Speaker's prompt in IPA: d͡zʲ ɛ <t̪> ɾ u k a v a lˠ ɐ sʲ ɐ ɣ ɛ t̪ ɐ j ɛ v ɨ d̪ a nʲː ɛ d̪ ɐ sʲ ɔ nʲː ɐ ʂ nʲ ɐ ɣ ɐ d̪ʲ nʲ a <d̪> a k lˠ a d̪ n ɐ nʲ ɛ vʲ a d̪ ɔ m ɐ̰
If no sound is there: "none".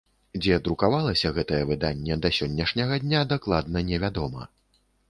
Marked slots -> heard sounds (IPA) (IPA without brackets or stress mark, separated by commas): d̪, d̪